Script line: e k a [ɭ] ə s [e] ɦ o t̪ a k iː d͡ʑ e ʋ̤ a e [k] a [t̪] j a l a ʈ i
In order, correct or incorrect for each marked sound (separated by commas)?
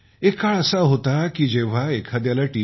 correct, incorrect, incorrect, incorrect